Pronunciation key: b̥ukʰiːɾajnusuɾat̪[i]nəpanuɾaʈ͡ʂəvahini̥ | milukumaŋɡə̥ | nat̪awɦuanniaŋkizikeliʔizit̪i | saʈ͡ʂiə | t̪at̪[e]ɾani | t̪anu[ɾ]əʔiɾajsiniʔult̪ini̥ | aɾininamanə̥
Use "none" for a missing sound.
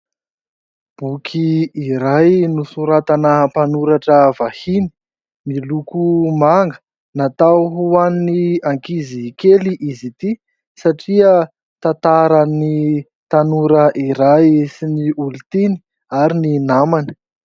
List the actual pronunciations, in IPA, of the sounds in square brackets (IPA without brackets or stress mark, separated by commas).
a, a, ɾ